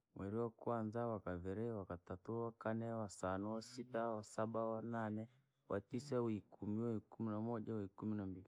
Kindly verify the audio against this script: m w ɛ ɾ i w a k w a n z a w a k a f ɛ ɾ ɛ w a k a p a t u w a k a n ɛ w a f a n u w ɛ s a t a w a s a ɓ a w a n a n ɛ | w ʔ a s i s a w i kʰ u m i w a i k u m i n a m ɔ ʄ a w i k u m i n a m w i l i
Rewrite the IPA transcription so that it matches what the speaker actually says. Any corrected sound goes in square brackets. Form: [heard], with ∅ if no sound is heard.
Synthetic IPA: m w ɛ ɾ i w a k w a n z a w a k a [v] ɛ ɾ ɛ w a k a [t] a t u w a k a n ɛ w a [s] a n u w [a] s [i] t a w a s a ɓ a w a n a n ɛ | w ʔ a [t] i s a w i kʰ u m i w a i k u m i n a m ɔ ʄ a w i k u m i n a m [b] i l i